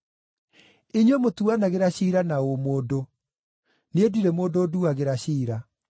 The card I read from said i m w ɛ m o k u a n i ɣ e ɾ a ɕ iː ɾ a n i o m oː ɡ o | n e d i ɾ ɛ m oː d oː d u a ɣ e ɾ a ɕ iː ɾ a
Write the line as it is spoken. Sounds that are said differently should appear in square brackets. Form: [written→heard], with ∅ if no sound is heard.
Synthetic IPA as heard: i [m→ɲ] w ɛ m o [k→t] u a n [i→a] ɣ e ɾ a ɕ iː ɾ a n [i→a] o m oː [ɡ→d] o | n e d i ɾ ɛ m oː d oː d u a ɣ e ɾ a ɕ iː ɾ a